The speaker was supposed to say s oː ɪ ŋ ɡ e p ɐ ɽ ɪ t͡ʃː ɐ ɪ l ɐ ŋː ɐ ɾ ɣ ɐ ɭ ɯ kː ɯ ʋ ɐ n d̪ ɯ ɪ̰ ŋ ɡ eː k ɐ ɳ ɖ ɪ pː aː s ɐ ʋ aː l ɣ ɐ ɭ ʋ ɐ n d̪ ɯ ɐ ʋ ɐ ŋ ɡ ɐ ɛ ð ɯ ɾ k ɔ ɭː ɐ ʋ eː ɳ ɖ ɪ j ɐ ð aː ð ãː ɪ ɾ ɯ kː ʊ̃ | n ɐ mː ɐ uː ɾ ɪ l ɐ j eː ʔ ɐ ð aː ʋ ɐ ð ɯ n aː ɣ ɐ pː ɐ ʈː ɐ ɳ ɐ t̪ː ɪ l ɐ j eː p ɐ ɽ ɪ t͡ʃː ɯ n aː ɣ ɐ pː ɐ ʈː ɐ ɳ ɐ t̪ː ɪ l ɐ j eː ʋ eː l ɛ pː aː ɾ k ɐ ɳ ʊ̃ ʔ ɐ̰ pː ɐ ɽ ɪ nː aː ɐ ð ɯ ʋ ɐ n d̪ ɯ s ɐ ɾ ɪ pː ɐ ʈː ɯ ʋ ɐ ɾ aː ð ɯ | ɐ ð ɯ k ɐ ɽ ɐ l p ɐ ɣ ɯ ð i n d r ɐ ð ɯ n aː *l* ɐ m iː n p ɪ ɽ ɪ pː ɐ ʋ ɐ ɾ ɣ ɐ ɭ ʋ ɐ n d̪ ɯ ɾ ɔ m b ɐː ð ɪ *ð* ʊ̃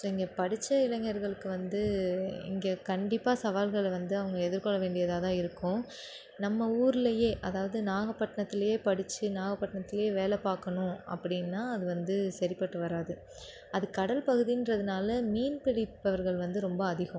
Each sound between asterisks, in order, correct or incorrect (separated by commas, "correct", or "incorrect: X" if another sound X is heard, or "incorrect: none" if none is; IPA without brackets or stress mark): correct, incorrect: ɣ